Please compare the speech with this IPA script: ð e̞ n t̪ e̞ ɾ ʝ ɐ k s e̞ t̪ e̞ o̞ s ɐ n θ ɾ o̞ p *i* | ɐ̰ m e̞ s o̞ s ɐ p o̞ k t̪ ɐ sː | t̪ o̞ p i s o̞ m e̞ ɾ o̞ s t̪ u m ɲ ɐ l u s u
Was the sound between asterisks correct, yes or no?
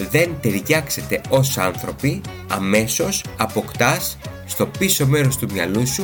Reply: yes